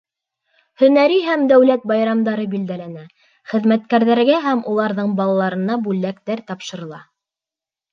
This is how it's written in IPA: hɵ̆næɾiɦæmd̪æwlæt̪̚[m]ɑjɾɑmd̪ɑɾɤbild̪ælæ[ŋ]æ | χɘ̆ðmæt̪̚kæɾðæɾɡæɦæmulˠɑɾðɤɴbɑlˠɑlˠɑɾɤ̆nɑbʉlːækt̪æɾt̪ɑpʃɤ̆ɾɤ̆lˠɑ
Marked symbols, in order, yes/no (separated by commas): no, no